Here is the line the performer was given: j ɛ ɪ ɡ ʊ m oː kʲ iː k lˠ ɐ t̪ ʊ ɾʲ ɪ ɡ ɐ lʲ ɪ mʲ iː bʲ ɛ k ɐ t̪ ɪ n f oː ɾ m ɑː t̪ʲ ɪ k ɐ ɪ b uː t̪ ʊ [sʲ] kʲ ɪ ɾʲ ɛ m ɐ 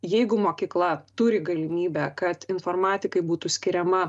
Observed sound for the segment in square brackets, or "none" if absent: sʲ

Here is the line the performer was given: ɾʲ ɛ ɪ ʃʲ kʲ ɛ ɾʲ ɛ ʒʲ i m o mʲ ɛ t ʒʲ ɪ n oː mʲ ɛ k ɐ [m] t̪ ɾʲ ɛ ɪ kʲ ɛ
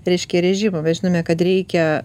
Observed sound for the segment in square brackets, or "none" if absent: none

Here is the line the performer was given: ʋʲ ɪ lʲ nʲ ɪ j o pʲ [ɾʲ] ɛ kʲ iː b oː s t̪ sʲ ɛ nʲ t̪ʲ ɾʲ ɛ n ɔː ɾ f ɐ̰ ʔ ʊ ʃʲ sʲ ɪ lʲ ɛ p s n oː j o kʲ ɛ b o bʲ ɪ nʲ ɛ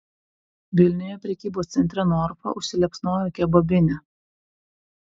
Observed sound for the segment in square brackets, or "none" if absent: ɾʲ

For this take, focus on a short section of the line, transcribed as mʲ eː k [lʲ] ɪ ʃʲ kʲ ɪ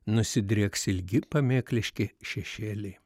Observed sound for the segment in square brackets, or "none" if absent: lʲ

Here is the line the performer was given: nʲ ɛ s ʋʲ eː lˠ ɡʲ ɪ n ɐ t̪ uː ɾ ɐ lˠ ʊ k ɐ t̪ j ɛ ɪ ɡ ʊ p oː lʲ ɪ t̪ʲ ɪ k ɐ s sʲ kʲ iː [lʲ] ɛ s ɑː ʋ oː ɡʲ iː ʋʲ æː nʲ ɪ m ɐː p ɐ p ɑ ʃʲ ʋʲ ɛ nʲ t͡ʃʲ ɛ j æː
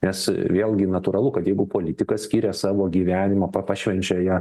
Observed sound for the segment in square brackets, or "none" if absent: ɾʲ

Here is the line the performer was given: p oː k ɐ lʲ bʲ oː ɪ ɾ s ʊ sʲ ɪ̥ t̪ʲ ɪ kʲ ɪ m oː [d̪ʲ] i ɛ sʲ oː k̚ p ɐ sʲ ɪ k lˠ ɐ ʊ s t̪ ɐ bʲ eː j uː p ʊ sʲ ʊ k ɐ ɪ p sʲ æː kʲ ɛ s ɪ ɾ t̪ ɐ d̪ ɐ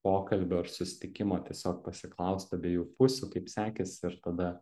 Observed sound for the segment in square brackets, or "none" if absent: t̪ʲ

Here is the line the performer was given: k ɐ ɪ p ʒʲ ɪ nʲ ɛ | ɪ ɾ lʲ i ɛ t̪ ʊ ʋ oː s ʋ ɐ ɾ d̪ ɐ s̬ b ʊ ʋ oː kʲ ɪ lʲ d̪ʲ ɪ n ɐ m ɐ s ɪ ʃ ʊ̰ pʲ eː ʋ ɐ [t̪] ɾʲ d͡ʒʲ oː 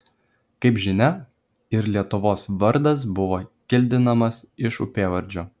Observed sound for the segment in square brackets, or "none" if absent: none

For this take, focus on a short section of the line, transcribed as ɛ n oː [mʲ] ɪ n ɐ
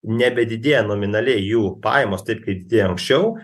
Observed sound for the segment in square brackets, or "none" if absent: mʲ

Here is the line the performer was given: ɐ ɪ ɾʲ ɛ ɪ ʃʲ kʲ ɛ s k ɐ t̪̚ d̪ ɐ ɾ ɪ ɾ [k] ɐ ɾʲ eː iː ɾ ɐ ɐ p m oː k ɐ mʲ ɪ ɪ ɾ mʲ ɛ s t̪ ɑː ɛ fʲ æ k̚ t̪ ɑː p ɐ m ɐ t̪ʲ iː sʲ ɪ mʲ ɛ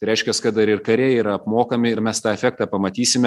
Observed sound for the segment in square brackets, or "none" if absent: k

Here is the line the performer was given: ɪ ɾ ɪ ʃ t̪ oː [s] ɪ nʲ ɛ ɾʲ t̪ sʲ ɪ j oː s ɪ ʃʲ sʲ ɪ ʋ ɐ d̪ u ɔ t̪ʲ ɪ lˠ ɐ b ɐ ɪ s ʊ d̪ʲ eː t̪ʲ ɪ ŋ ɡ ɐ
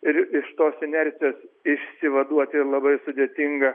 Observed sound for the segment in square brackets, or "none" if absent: s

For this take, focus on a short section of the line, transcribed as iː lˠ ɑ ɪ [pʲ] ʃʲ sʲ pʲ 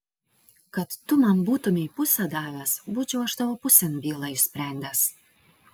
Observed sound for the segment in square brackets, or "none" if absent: none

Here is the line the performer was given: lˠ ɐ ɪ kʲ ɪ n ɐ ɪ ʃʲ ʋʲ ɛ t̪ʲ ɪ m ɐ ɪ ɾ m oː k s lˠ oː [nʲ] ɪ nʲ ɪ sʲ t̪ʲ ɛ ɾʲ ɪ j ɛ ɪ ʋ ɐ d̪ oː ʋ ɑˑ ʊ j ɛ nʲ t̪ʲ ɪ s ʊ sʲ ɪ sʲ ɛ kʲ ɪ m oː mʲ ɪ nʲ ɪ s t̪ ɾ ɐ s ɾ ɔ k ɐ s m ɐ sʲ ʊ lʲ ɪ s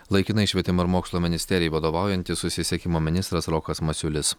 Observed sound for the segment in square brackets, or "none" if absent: mʲ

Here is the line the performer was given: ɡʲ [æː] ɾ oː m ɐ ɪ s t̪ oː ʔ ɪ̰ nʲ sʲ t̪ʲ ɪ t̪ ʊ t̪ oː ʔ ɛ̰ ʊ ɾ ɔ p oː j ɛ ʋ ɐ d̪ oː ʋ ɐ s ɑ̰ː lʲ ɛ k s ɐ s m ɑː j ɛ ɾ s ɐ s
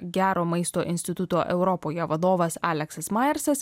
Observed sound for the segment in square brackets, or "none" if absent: æː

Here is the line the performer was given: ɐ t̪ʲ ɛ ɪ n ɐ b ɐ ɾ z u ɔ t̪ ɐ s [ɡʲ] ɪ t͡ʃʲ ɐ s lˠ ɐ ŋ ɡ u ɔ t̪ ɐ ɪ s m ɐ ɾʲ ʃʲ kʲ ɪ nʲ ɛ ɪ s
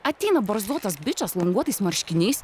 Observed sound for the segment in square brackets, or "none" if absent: bʲ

